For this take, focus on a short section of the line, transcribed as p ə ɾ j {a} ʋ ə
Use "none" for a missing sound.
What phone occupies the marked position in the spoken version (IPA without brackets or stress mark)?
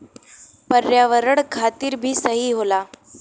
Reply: a